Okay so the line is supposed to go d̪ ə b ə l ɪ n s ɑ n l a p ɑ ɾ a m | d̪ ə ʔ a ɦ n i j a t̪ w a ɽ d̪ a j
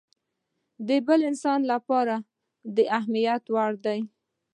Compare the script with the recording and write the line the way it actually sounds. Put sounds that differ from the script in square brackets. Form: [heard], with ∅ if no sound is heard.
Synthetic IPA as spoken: d̪ ə b ə l ɪ n s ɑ n l a p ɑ ɾ a [∅] | d̪ ə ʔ a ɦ [m] i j a t̪ w a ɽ d̪ a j

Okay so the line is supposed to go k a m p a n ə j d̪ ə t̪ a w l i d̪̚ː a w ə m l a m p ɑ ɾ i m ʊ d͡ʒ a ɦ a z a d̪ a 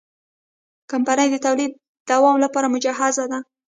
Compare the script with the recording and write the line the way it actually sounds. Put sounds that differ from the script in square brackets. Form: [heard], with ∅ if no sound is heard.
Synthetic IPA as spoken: k a m p a n ə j d̪ ə t̪ a w l i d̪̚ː a w [ɑ] m l a [∅] p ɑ ɾ [a] m ʊ d͡ʒ a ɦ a z a d̪ a

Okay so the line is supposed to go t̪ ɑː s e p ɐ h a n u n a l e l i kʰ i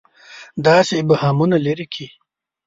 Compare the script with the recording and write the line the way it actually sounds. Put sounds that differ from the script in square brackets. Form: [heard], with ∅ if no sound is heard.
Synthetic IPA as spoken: [d̪] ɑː s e [b] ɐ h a [m] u n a l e [ɾ] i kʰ i

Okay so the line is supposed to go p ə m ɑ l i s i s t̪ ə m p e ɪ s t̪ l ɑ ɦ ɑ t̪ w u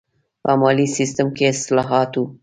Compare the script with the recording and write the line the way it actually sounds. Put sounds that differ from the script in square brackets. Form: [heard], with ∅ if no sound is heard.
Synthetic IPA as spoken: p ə m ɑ l i s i s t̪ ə m [k] e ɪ s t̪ l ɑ ɦ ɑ t̪ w u

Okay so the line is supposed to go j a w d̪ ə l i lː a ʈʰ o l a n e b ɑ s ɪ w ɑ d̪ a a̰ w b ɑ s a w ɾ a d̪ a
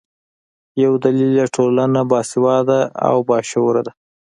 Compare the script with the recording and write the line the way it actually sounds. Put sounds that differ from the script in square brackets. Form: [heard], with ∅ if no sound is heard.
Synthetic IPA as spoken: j a w d̪ [a] l i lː a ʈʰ o l a n [a] b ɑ s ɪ w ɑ d̪ a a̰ w b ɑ [ʃ] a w ɾ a d̪ a

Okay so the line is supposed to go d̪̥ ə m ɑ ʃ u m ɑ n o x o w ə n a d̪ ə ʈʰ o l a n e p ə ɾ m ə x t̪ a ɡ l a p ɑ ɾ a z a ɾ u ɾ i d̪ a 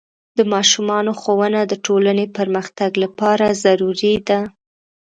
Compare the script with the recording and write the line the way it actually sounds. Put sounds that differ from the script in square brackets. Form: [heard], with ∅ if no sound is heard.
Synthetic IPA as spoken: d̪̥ ə m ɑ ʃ u m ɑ n o x o w ə n a d̪ ə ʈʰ o l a n e p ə ɾ m ə x t̪ a ɡ l a p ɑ ɾ a z a ɾ u ɾ i d̪ a

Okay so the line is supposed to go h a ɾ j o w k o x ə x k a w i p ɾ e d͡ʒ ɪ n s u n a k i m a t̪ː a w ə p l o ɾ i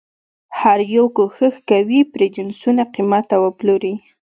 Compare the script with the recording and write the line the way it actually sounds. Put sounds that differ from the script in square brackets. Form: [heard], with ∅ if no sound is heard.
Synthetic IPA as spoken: h a ɾ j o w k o x ə x k a w i p ɾ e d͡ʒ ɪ n s u n a [q] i m a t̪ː a w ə p l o ɾ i

